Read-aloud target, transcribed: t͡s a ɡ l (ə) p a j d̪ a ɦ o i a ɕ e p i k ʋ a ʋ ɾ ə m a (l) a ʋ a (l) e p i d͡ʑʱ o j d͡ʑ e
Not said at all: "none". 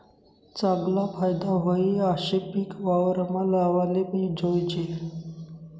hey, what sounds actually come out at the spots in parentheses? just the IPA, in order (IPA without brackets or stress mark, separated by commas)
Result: a, l, l